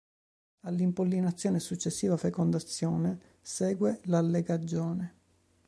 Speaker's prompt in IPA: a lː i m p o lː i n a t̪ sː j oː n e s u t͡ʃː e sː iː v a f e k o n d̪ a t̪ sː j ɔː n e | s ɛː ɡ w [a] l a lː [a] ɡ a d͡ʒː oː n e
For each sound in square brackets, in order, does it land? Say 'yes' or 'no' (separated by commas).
no, no